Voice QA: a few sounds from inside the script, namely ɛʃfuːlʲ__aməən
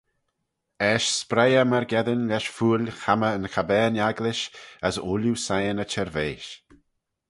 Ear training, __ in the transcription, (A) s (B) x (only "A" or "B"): B